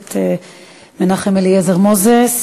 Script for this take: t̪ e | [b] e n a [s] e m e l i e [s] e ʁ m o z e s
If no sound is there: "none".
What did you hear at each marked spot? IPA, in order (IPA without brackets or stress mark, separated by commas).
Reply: m, χ, z